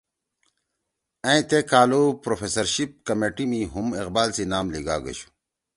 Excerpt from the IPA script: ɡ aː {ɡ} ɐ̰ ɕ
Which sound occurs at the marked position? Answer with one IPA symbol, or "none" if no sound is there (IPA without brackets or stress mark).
ɡ